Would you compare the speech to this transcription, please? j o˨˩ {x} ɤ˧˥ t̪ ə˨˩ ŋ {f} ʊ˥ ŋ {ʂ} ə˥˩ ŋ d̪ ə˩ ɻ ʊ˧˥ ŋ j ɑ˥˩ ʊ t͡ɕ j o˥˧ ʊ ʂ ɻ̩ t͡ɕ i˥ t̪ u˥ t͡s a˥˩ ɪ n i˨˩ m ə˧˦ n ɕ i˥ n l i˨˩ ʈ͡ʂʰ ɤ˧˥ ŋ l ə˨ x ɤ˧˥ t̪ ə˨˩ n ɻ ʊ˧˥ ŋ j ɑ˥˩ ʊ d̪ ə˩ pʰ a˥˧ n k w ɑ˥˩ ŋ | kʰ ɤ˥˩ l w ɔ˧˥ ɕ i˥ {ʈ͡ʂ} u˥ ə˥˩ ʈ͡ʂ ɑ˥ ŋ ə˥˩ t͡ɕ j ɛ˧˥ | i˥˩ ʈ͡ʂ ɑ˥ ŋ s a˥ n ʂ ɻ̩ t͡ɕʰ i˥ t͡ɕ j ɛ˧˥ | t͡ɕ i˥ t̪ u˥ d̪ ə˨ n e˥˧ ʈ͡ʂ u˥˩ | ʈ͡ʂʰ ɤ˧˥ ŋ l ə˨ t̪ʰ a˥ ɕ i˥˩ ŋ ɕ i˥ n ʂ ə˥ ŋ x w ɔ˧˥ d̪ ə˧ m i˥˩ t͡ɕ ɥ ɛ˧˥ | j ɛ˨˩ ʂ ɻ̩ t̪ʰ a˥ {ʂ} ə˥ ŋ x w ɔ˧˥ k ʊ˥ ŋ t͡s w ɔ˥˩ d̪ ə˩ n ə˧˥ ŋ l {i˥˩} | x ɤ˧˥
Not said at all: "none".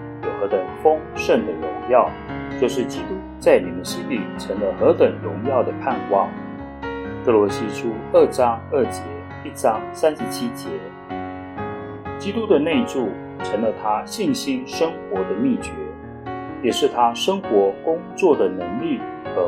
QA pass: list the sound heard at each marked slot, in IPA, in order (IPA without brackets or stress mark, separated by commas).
x, f, ʂ, ʈ͡ʂʰ, ʂ, i˥˩